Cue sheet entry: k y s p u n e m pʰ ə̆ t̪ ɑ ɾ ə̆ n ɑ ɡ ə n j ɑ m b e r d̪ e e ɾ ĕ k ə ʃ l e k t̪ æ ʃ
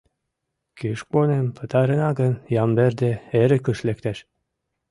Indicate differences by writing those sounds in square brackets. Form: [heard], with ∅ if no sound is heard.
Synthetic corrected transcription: k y [ʃ] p [o] n e m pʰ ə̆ t̪ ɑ ɾ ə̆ n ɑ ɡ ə n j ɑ m b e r d̪ e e ɾ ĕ k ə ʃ l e k t̪ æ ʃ